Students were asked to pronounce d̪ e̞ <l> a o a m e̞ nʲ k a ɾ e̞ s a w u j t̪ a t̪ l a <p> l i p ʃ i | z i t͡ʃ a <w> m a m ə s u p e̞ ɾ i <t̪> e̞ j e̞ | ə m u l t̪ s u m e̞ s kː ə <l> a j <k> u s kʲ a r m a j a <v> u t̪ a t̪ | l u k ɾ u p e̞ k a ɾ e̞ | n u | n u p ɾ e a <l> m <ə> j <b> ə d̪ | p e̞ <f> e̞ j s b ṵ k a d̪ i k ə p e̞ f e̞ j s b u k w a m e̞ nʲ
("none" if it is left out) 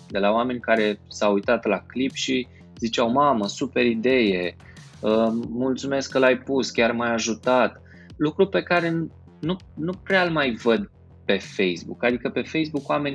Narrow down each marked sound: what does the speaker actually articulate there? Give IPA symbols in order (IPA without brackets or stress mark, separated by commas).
l, k, w, d̪, l, p, ʒ, l, a, v, f